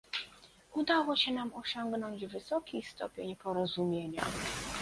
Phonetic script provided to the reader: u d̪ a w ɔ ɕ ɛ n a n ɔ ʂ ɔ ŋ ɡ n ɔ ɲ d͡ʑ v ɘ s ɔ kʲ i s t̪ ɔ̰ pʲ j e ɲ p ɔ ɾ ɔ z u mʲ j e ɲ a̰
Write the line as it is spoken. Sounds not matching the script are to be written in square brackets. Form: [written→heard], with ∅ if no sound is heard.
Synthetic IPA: u d̪ a w ɔ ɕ ɛ n a [n→m] ɔ [ʂ→ɕ] ɔ ŋ ɡ n ɔ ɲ d͡ʑ v ɘ s ɔ kʲ i s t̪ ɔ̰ pʲ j e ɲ p ɔ ɾ ɔ z u mʲ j e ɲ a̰